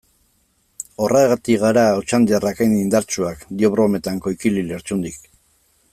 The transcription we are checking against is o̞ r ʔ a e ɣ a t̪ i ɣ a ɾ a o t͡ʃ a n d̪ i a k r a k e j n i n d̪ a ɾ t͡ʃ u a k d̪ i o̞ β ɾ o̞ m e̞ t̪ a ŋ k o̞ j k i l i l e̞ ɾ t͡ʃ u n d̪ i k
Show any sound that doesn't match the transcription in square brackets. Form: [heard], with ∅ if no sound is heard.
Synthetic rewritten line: o̞ r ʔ a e ɣ a t̪ i ɣ a ɾ a o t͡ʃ a n d̪ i a [∅] r a k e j n i n d̪ a ɾ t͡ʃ u a k d̪ i o̞ β ɾ o̞ m e̞ t̪ a ŋ k o̞ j k i l i l e̞ ɾ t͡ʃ u n d̪ i k